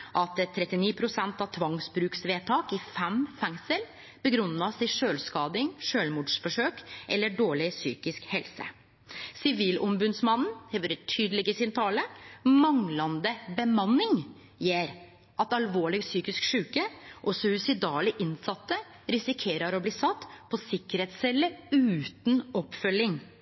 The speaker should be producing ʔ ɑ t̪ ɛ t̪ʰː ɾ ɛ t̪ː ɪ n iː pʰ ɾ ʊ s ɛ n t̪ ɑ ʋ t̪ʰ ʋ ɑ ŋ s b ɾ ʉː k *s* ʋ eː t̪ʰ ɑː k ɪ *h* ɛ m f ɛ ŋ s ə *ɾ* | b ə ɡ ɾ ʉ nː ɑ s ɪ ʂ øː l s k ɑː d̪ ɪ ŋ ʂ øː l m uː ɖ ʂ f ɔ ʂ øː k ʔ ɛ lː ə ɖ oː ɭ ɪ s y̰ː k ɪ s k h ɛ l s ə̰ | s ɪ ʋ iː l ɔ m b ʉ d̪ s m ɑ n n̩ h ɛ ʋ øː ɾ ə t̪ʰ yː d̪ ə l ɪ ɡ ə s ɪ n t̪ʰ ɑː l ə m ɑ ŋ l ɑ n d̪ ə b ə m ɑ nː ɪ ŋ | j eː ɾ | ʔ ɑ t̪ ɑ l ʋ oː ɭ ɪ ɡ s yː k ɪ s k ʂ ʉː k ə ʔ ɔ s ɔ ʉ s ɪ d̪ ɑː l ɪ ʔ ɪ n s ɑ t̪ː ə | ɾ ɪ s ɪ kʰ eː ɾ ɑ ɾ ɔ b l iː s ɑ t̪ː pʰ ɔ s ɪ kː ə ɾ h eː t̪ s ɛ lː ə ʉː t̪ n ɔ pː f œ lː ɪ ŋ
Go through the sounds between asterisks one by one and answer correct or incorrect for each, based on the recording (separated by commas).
correct, incorrect, incorrect